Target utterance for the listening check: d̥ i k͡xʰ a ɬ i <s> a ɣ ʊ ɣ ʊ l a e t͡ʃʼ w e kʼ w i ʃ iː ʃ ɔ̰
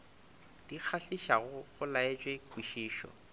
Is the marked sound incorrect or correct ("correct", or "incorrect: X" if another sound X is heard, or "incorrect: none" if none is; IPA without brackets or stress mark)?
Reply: incorrect: ʃ